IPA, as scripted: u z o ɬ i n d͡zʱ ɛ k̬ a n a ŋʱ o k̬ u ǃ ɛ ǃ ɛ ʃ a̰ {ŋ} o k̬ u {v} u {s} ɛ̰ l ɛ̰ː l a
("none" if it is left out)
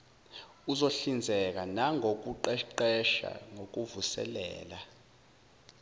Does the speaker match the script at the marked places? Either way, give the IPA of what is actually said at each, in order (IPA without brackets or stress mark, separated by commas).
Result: ŋ, v, s